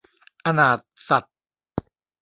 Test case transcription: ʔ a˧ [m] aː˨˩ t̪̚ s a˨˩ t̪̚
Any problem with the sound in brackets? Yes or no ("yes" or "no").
yes